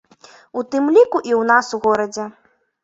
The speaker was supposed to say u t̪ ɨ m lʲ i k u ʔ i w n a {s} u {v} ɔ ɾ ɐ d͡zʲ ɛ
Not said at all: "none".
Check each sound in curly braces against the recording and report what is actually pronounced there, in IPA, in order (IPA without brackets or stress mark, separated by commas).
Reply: s, ɣ